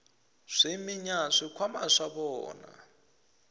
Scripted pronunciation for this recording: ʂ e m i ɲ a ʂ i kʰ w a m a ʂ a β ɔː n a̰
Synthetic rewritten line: ʂ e m i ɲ a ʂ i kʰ w a m a ʂ a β ɔː n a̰